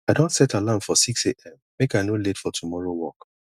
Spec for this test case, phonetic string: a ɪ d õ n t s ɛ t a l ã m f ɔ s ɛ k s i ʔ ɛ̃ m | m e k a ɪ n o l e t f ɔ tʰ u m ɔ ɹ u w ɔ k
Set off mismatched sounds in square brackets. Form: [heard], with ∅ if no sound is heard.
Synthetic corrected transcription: a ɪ d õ n t s ɛ t a l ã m f ɔ s [i] k s [e] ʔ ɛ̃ m | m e k a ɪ n o l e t f ɔ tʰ u m ɔ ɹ [o] w ɔ k